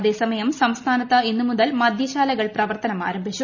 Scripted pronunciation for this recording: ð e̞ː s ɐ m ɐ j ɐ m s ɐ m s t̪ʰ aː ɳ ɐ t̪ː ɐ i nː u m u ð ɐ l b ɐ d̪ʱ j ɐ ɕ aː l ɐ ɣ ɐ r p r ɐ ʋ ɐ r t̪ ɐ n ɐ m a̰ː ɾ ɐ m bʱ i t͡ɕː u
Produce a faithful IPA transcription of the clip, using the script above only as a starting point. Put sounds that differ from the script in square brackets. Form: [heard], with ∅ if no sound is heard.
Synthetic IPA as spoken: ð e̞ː s ɐ m ɐ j ɐ m s ɐ m s t̪ʰ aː [n] ɐ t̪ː ɐ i nː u m u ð ɐ l [m] ɐ d̪ʱ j ɐ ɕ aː l ɐ ɣ ɐ [ɭ] p r ɐ ʋ ɐ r t̪ ɐ n ɐ m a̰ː ɾ ɐ m bʱ i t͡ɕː u

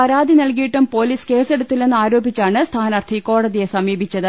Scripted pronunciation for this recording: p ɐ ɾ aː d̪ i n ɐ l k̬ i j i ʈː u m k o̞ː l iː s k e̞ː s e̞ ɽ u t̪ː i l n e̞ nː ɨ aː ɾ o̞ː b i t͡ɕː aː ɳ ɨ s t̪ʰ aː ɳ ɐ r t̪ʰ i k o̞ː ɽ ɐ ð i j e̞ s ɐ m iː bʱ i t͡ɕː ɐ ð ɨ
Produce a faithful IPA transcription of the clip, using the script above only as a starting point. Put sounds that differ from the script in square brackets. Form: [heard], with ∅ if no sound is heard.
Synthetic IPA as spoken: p ɐ ɾ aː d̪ i n ɐ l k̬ i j i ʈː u m [p] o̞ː l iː s k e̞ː s e̞ ɽ u t̪ː i l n e̞ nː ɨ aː ɾ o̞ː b i t͡ɕː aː ɳ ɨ s t̪ʰ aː [n] ɐ r t̪ʰ i k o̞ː ɽ ɐ ð i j e̞ s ɐ m iː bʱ i t͡ɕː ɐ ð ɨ

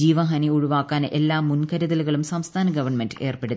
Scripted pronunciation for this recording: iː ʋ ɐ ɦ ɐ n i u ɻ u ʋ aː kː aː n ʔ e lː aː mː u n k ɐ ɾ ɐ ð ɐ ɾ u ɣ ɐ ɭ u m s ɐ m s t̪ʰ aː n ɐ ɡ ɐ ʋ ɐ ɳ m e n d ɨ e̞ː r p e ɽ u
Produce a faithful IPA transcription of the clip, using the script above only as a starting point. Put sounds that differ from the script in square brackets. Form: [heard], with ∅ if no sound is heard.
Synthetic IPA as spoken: iː ʋ ɐ ɦ ɐ n i u ɻ u ʋ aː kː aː n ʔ e lː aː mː u n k ɐ ɾ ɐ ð ɐ [l] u ɣ ɐ ɭ u m s ɐ m s t̪ʰ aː n ɐ ɡ ɐ ʋ ɐ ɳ m e n d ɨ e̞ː r p e ɽ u

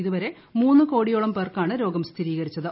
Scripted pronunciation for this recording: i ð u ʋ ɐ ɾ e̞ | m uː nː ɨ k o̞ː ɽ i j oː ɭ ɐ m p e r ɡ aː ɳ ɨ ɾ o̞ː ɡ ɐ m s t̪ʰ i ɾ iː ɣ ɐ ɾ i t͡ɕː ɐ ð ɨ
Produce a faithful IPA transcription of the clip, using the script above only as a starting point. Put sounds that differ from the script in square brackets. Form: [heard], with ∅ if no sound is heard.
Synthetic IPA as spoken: i ð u ʋ ɐ ɾ e̞ | m uː nː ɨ k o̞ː ɽ i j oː ɭ ɐ m p e r [k] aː ɳ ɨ ɾ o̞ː ɡ ɐ m s t̪ʰ i ɾ iː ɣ ɐ ɾ i t͡ɕː ɐ ð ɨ

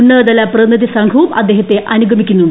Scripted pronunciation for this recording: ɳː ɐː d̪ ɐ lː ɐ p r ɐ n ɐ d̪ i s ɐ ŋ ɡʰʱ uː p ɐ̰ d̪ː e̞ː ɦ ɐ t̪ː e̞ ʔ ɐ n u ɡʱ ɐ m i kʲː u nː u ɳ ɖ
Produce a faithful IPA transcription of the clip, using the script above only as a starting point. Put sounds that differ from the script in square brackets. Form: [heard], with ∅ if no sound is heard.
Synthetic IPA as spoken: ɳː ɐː d̪ ɐ [l] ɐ p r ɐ n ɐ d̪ i s ɐ ŋ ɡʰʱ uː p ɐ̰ d̪ː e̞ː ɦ ɐ t̪ː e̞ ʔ ɐ n u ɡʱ ɐ m i kʲː u nː u ɳ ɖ

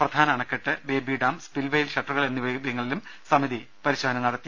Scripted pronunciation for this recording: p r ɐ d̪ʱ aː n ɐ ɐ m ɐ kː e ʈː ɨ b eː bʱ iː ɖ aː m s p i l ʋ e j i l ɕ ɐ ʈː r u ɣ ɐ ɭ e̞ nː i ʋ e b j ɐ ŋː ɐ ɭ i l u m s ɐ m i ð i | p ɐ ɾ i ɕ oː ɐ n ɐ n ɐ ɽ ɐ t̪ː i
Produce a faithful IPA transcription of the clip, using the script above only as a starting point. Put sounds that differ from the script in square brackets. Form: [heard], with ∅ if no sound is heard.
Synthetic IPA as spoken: p r ɐ d̪ʱ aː n ɐ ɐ [ɳ] ɐ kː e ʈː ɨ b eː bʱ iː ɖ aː m s p i l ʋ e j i l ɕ ɐ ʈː r u ɣ ɐ ɭ e̞ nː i ʋ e b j ɐ ŋː ɐ ɭ i l u m s ɐ m i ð i | p ɐ ɾ i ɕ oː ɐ n ɐ n ɐ ɽ ɐ t̪ː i

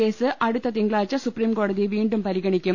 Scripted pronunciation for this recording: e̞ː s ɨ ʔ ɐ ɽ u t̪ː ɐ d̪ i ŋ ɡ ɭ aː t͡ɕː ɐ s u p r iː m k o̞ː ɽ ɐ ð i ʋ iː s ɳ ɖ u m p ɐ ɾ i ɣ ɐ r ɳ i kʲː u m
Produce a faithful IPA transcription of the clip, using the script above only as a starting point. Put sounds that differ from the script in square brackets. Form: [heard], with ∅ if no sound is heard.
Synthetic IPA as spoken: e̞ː s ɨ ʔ ɐ ɽ u t̪ː ɐ [t̪] i ŋ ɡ ɭ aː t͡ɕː ɐ s u p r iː m k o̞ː ɽ ɐ ð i ʋ iː [∅] ɳ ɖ u m p ɐ ɾ i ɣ ɐ [∅] ɳ i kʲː u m

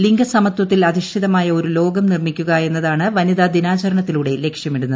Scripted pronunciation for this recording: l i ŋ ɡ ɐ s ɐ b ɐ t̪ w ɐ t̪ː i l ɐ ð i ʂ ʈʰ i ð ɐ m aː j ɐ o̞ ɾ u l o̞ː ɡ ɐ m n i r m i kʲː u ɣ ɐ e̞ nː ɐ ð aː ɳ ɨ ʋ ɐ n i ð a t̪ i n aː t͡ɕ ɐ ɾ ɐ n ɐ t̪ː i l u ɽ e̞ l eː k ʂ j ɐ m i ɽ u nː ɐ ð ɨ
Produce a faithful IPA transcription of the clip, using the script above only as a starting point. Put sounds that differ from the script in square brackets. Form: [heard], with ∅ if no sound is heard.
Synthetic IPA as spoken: l i ŋ ɡ ɐ s ɐ [m] ɐ t̪ w ɐ t̪ː i l ɐ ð i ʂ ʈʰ i ð ɐ m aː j ɐ o̞ ɾ u l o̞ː ɡ ɐ m n i r m i kʲː u ɣ ɐ e̞ nː ɐ ð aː ɳ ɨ ʋ ɐ n i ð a [d̪] i n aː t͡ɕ ɐ ɾ ɐ [ɳ] ɐ t̪ː i l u ɽ e̞ l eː k ʂ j ɐ m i ɽ u nː ɐ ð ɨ

